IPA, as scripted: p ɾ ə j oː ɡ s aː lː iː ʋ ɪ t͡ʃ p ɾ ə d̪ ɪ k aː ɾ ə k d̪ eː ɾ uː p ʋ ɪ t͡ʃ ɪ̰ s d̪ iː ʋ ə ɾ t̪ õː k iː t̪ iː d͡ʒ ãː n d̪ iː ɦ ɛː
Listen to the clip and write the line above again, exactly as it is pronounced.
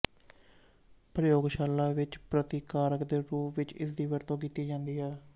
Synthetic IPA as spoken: p ɾ ə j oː ɡ ʃ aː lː aː ʋ ɪ t͡ʃ p ɾ ə t̪ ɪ k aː ɾ ə k d̪ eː ɾ uː p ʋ ɪ t͡ʃ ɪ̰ s d̪ iː ʋ ə ɾ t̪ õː k iː t̪ iː d͡ʒ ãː n d̪ iː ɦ ɛː